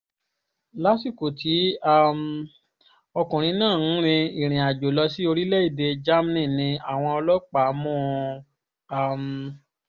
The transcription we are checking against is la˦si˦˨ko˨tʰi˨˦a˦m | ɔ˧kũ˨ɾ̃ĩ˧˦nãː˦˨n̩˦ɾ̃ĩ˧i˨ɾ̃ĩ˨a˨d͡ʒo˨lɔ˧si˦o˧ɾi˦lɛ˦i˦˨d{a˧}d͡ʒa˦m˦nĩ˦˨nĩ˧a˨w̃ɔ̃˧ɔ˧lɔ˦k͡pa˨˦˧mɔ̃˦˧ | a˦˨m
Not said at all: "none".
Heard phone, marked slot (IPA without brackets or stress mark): e˧